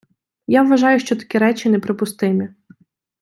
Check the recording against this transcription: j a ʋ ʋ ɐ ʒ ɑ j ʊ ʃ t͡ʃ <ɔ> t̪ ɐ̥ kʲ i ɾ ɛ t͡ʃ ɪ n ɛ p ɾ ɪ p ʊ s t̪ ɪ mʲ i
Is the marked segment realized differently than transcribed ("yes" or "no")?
no